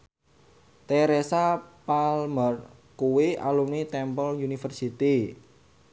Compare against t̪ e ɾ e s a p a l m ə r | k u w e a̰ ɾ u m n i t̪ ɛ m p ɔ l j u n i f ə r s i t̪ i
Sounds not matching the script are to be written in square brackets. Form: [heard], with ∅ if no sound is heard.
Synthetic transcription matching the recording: t̪ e ɾ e s a p a l m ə r | k u w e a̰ [l] u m n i t̪ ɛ m p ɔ l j u n i f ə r s i t̪ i